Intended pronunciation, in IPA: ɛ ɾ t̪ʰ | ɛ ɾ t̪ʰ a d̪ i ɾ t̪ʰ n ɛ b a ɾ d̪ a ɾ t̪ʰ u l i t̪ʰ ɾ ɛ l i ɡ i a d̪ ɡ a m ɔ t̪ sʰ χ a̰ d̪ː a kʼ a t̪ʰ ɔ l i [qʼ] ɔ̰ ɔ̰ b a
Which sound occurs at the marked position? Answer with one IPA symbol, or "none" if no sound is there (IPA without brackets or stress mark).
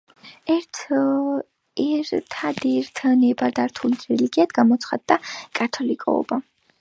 kʼ